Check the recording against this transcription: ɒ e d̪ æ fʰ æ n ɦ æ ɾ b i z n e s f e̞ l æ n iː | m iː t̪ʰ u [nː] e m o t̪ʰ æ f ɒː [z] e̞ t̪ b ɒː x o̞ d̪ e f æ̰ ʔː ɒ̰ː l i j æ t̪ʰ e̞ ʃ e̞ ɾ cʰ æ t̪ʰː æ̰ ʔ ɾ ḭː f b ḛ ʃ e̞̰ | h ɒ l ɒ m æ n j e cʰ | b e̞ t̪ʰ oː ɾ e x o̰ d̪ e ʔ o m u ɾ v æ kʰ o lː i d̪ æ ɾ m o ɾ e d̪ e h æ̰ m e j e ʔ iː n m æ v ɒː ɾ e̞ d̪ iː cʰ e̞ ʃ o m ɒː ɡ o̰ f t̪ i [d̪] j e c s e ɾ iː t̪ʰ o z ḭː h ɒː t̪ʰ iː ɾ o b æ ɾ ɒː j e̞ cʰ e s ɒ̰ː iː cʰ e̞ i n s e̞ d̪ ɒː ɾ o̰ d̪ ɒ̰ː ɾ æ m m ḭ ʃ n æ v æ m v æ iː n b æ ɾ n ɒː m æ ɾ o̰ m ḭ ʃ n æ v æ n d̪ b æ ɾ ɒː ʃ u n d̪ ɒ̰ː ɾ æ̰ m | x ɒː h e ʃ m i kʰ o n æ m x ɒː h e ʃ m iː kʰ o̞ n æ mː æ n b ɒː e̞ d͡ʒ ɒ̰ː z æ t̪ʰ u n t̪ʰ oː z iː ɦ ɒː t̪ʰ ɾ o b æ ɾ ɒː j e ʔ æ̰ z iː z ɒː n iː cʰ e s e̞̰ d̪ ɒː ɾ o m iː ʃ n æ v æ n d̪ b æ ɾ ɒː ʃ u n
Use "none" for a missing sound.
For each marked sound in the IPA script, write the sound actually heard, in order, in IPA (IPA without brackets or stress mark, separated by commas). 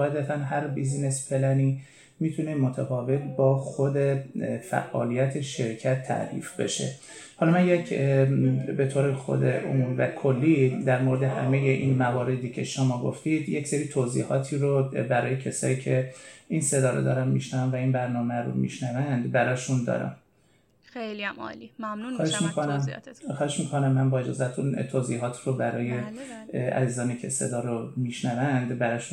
n, v, d̪